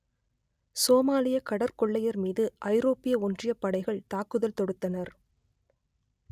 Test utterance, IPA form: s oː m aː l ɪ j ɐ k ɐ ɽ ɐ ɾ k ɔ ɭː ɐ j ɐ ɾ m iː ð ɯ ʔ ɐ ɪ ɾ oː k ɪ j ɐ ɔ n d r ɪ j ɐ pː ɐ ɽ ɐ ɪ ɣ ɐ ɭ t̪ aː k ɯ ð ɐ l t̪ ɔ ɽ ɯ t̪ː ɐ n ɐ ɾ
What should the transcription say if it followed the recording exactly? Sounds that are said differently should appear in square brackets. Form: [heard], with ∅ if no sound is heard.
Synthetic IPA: s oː m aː l ɪ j ɐ k ɐ ɽ ɐ ɾ k ɔ ɭː ɐ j ɐ ɾ m iː ð ɯ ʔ ɐ ɪ ɾ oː [p] ɪ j ɐ ɔ n d r ɪ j ɐ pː ɐ ɽ ɐ ɪ ɣ ɐ ɭ t̪ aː k ɯ ð ɐ l t̪ ɔ ɽ ɯ t̪ː ɐ n ɐ ɾ